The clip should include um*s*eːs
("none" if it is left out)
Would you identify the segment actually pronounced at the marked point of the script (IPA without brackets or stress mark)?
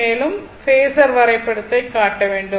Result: f